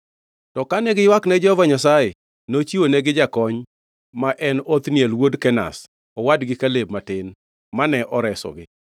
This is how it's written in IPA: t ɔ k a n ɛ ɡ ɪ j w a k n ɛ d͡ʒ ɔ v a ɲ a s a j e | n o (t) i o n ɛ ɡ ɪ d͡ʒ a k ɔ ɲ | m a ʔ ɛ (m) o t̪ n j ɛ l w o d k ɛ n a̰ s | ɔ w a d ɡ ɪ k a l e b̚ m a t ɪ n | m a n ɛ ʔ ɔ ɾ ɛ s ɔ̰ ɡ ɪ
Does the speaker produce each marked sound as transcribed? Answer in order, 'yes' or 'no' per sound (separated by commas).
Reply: no, no